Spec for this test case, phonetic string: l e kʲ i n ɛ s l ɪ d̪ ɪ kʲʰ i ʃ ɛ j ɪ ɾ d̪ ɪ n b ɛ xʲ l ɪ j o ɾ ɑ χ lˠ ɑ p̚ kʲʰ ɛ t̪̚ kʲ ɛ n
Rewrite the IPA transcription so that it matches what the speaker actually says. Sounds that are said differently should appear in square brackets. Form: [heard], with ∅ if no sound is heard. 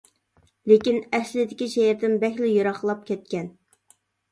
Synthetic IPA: l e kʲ i n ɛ s l ɪ d̪ ɪ [kʲ] i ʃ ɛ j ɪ ɾ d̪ ɪ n b ɛ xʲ l ɪ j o ɾ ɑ χ lˠ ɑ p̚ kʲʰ ɛ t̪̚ kʲ ɛ n